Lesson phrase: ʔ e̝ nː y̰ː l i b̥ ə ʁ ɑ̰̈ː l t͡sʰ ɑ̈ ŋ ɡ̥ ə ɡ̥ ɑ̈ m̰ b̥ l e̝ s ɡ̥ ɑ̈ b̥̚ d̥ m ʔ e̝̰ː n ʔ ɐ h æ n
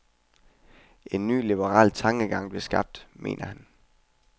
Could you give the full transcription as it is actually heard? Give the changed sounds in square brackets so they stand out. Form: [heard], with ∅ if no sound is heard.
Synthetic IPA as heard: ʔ e̝ nː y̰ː l i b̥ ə ʁ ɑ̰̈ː l t͡sʰ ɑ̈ ŋ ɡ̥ ə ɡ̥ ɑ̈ [ŋ̰] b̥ l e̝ s ɡ̥ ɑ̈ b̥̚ d̥ m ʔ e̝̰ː n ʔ ɐ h æ n